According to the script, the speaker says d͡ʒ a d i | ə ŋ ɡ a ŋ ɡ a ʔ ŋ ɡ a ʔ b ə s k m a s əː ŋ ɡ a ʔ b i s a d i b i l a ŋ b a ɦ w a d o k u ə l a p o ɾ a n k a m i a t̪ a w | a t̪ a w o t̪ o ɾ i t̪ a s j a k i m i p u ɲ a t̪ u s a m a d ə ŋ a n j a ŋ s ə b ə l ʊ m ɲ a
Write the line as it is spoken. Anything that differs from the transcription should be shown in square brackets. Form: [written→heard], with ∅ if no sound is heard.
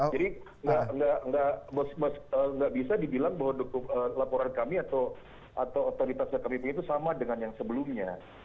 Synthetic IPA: d͡ʒ a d i | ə ŋ ɡ a ŋ ɡ a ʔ ŋ ɡ a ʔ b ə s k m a s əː ŋ ɡ a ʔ b i s a d i b i l a ŋ b a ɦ w a d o k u ə l a p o ɾ a n k a m i a t̪ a w | a t̪ a w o t̪ o ɾ i t̪ a s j a k [i→a] m i p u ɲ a t̪ u s a m a d ə ŋ a n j a ŋ s ə b ə l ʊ m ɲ a